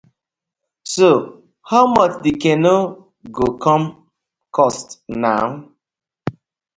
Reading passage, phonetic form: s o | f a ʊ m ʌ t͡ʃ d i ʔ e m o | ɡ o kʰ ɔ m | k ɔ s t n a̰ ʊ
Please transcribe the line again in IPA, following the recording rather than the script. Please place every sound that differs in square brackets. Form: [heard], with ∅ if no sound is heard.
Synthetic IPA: s o | [h] a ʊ m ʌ t͡ʃ d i [k] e [n] o | ɡ o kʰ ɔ m | k ɔ s t n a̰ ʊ